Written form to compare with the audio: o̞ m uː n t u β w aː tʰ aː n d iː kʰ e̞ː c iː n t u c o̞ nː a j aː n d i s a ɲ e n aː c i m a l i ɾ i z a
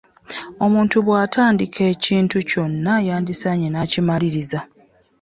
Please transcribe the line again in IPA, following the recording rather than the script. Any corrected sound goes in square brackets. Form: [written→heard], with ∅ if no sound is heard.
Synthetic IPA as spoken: o̞ m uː n t u β w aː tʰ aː n d [iː→i] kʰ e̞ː c iː n t u c o̞ nː a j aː n d i s a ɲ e n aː c i m a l i ɾ i z a